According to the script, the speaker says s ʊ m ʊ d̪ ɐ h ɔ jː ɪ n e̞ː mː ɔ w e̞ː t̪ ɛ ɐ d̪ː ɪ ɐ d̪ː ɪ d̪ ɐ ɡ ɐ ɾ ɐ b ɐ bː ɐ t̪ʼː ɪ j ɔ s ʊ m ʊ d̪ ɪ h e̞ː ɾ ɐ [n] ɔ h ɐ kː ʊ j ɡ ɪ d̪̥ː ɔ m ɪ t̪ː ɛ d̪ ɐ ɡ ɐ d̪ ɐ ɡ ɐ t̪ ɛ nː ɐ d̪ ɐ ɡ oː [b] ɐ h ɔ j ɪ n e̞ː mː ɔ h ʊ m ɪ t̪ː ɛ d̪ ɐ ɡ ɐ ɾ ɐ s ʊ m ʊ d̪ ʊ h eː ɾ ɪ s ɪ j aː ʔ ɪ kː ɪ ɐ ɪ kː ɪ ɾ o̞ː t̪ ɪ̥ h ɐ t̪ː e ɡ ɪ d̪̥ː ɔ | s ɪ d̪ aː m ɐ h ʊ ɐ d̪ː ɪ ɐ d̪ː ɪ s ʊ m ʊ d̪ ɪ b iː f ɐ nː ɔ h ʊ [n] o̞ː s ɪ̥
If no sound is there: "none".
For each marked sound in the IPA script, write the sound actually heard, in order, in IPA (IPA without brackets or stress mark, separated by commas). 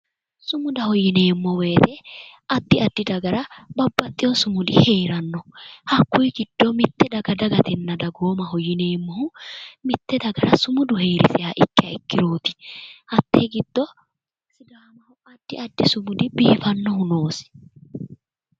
nː, m, n